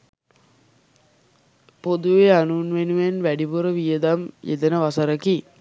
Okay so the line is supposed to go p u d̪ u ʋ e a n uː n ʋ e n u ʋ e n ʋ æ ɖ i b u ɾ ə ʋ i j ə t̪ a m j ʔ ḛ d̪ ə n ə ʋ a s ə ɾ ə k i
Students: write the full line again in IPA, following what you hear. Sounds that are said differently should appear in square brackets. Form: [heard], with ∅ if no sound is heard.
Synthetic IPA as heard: p [o] d̪ u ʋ e a n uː n ʋ e n u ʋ e n ʋ æ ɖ i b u ɾ ə ʋ i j ə [d̪] a m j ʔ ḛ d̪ ə n ə ʋ a s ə ɾ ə k i

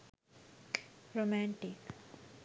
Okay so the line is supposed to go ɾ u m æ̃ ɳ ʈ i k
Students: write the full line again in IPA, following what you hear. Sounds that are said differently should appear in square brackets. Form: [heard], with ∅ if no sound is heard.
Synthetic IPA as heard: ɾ [o] m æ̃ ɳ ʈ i k

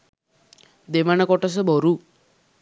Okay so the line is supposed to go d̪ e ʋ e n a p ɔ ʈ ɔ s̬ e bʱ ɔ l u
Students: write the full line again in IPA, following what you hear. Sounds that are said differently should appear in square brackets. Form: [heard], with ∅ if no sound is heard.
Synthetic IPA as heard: d̪ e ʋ [a] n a [k] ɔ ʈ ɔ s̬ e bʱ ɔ [ɾ] u

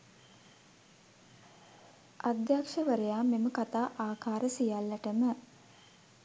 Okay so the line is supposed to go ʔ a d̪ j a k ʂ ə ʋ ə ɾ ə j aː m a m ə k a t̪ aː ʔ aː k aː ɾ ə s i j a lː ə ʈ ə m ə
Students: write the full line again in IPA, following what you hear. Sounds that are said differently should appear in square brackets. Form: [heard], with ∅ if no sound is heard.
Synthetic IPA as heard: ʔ a d̪ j a k ʂ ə ʋ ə ɾ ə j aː m [e] m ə k a t̪ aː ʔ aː k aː ɾ ə s i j a lː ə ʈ ə m ə

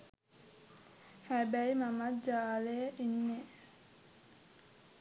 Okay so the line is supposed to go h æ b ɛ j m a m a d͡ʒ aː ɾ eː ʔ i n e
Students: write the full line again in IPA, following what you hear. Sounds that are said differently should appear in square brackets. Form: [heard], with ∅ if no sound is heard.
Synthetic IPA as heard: h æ b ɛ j m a m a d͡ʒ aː [l] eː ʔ i [nː] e

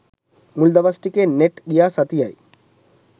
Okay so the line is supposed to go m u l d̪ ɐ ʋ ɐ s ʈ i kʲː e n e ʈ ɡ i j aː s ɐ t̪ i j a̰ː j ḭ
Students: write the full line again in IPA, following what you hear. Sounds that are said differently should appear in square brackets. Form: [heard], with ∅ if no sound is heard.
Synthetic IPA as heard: m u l d̪ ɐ ʋ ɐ s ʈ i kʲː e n e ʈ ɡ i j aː s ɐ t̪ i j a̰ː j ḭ

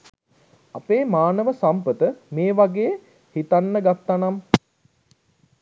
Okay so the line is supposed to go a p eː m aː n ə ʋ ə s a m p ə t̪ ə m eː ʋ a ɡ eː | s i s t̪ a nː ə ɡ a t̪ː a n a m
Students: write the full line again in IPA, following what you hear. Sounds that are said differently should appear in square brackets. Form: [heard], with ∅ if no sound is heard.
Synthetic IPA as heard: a p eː m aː n ə ʋ ə s a m p ə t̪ ə m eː ʋ a ɡ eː | [h] i [∅] t̪ a nː ə ɡ a t̪ː a n a m

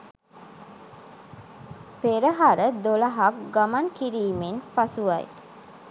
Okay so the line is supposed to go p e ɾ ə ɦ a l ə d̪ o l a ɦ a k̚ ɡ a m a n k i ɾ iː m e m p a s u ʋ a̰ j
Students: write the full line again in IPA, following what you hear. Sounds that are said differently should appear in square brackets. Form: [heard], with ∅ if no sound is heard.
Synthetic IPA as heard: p e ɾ ə ɦ a [ɾ] ə d̪ o l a ɦ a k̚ ɡ a m a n k i ɾ iː m e [n] p a s u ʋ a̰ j

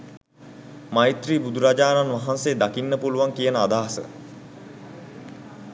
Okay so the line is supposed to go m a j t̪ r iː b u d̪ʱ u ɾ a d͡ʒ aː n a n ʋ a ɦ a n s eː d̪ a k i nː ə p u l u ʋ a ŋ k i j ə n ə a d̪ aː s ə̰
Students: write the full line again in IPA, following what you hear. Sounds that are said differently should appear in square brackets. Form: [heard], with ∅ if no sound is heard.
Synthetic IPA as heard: m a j t̪ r iː b u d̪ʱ u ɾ a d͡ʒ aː n a n ʋ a ɦ a n s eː d̪ a k i nː ə p u l u ʋ a ŋ k i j ə n ə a d̪ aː s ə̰

